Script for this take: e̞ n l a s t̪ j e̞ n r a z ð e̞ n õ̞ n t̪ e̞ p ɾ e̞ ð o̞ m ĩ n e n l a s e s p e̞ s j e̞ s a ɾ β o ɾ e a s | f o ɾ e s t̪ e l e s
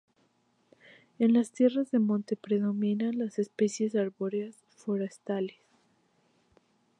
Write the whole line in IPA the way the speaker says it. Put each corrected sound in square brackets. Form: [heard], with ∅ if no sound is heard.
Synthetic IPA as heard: e̞ n l a s t̪ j e̞ [∅] r a z ð e̞ [m] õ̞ n t̪ e̞ p ɾ e̞ ð o̞ m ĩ n [a] n l a s e s p e̞ s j e̞ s a ɾ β o ɾ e a s | f o ɾ e s t̪ [a] l e s